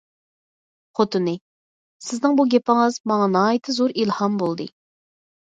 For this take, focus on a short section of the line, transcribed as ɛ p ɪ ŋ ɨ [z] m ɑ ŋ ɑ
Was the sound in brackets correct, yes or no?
yes